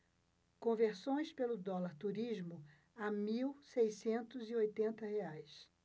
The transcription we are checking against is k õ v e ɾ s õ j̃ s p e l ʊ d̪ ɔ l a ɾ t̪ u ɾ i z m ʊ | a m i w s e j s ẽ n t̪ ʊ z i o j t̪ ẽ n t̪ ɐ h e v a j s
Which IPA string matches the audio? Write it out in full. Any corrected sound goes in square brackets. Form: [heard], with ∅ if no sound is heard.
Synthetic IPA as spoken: k õ v e ɾ s õ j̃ s p e l ʊ d̪ ɔ l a ɾ t̪ u ɾ i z m ʊ | a m i w s e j s ẽ n t̪ ʊ z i o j t̪ ẽ n t̪ ɐ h e [∅] a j s